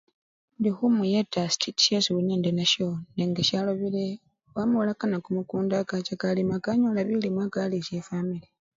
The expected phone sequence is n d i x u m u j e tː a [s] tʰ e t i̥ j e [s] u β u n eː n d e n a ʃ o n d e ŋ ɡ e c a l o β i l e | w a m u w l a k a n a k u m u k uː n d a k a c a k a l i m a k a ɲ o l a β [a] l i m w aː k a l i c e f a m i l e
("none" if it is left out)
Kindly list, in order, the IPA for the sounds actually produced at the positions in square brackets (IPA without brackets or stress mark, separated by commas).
s, s, i